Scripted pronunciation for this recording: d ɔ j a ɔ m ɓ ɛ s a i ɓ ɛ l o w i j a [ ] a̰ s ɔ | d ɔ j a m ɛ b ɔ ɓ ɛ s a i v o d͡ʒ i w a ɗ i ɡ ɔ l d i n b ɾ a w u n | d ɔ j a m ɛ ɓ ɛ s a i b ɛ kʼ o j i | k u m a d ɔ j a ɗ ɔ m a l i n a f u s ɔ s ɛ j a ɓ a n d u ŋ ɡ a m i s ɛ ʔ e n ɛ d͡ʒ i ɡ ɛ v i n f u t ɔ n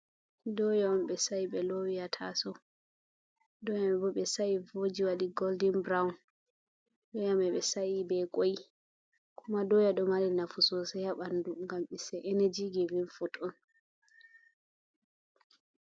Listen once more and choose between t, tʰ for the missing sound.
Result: tʰ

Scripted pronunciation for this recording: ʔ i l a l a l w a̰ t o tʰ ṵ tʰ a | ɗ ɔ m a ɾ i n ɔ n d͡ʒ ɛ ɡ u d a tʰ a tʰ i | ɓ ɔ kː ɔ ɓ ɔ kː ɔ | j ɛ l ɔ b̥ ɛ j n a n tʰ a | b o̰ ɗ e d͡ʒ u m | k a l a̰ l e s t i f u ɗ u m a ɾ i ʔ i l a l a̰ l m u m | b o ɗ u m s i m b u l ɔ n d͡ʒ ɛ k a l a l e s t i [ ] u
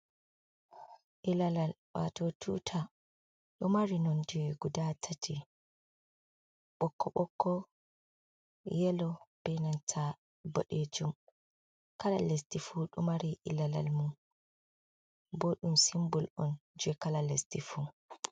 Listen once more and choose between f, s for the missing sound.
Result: f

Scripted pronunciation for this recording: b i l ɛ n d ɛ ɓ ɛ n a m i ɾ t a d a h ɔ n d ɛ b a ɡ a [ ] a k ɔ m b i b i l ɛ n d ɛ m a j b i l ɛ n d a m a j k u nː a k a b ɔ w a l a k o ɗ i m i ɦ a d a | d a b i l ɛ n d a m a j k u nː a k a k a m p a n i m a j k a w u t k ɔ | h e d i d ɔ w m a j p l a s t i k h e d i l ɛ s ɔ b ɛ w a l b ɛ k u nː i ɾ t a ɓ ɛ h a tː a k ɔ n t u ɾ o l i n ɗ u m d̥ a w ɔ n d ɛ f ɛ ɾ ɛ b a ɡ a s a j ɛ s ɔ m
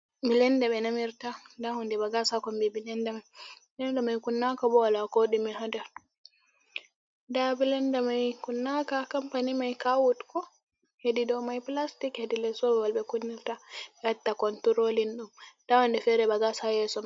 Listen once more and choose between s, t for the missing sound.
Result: s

